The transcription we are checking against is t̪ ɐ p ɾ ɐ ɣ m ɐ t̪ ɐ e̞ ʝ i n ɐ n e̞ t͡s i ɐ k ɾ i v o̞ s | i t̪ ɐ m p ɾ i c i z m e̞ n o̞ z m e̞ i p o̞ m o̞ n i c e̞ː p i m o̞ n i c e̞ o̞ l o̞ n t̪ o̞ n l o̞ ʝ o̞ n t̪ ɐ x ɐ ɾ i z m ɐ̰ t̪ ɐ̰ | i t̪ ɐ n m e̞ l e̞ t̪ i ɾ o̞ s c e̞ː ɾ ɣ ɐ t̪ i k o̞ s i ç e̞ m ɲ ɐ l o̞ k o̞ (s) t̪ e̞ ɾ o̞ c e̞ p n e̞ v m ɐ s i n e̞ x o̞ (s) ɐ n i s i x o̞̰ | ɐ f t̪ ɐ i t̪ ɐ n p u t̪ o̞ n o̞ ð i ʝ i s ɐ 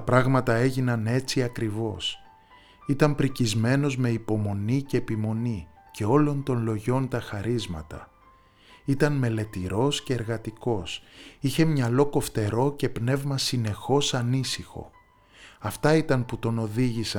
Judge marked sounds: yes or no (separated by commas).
no, yes